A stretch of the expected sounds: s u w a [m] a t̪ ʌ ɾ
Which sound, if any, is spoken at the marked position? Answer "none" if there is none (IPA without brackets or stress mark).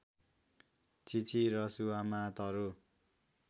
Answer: m